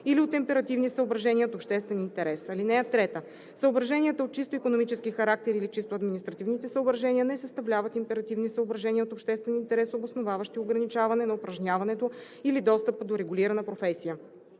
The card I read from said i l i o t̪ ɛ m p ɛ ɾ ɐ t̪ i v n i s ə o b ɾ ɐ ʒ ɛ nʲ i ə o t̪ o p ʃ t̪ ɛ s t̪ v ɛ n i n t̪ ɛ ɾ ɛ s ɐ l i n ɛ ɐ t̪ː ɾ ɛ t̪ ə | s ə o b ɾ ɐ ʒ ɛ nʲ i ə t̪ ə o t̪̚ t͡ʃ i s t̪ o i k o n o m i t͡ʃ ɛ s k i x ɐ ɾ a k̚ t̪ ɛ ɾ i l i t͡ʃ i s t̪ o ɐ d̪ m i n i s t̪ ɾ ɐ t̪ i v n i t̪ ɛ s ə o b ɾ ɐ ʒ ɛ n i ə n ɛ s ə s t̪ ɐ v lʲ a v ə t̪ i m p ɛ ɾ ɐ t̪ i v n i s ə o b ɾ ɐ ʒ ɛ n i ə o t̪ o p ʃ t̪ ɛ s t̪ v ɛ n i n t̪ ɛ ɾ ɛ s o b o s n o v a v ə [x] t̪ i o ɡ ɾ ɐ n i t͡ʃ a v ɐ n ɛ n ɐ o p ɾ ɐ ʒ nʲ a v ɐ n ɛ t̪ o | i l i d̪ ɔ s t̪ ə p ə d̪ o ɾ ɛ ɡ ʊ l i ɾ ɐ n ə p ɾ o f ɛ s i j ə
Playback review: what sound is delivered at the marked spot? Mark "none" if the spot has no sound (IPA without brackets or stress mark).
ʃ